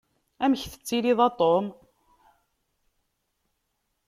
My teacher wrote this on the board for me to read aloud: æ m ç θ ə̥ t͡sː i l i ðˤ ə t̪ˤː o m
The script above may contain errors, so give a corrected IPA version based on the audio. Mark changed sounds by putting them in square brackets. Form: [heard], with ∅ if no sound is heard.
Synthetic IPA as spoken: æ m ç θ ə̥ t͡sː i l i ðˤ [ɑ] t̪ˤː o m